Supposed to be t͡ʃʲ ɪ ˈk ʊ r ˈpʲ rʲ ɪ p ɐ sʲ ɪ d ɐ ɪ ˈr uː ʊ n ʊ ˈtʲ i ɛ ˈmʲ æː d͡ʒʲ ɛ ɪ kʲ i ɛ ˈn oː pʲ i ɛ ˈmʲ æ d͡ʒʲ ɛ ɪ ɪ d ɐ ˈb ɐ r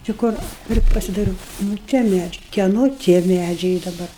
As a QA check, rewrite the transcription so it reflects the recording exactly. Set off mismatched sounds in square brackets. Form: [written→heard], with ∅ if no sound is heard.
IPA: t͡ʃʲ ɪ ˈk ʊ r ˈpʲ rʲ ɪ p ɐ sʲ ɪ d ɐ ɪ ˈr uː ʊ n ʊ ˈtʲ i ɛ ˈmʲ æː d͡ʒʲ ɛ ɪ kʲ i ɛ ˈn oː [pʲ→tʲ] i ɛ ˈmʲ æ d͡ʒʲ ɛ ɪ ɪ d ɐ ˈb ɐ r